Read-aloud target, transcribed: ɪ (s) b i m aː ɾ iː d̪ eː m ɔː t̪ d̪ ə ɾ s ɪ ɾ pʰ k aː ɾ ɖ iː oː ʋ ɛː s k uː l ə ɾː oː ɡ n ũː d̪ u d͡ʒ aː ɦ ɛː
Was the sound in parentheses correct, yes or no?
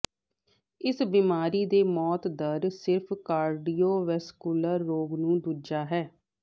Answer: yes